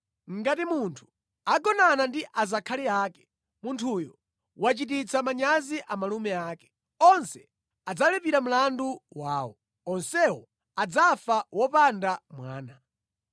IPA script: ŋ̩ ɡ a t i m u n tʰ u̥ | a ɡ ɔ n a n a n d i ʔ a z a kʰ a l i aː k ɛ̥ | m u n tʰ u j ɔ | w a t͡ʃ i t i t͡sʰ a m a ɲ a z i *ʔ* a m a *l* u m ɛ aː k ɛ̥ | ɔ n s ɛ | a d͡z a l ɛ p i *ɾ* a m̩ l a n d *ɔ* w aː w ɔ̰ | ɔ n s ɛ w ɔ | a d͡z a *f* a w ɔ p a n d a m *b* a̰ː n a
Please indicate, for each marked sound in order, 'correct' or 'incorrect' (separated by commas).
correct, correct, correct, incorrect, correct, incorrect